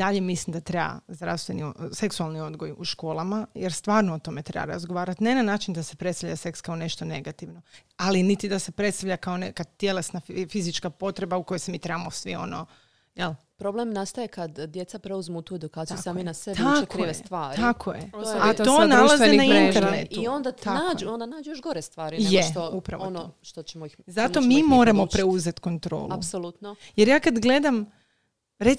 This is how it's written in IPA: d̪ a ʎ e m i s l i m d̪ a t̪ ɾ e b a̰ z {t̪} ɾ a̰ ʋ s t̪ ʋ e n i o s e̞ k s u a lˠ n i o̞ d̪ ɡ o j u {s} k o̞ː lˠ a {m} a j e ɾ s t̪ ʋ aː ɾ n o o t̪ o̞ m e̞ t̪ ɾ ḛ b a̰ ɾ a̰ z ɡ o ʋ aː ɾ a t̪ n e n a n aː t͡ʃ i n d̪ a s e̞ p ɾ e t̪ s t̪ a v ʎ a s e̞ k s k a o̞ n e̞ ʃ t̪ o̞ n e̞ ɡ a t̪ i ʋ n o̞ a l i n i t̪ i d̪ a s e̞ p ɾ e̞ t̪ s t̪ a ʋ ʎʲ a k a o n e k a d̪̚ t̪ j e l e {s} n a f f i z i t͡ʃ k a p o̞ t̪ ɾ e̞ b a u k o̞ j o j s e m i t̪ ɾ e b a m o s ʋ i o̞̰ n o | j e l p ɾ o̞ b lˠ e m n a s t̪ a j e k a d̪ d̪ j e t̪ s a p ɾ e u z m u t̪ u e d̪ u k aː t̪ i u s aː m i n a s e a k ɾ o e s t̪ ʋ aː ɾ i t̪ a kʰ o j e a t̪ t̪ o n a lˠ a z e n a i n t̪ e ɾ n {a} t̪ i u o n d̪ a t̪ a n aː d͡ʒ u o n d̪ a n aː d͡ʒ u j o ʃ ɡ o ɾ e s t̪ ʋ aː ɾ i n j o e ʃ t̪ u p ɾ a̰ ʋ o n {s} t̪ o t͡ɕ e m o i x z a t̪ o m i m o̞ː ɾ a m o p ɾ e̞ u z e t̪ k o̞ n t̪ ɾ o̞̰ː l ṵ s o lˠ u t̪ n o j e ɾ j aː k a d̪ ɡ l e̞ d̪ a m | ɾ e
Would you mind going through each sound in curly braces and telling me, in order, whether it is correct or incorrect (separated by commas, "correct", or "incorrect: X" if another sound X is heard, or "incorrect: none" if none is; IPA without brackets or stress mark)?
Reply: incorrect: d̪, incorrect: ʃ, correct, correct, incorrect: e, incorrect: ʃ